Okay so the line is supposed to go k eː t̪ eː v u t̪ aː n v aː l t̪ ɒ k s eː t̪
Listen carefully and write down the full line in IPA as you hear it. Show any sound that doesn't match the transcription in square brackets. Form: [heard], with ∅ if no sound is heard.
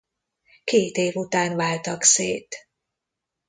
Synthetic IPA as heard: k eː t̪ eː v u t̪ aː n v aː l t̪ ɒ k s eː t̪